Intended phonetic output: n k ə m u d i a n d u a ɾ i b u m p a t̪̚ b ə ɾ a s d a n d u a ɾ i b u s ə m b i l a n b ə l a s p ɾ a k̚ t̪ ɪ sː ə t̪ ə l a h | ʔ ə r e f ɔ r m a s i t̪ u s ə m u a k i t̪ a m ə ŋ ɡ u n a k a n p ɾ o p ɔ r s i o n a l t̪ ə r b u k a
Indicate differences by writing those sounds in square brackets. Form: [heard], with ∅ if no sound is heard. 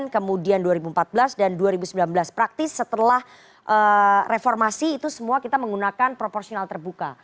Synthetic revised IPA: n k ə m u d i a n d u a ɾ i b u m p a t̪̚ b ə [l] a s d a n d u a ɾ i b u s ə m b i l a n b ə l a s p ɾ a k̚ t̪ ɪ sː ə t̪ ə l a h | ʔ ə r e f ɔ r m a s [iː] t̪ u s ə m u a k i t̪ a m ə ŋ ɡ u n a k a n p ɾ o p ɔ r s i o n a l t̪ ə r b u k a